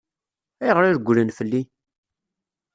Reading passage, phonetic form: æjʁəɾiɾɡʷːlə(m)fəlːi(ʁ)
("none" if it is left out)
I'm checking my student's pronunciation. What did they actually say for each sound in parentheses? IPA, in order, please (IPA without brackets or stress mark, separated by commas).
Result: n, none